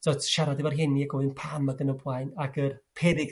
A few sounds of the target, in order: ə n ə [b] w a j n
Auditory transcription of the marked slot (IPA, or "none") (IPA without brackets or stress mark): b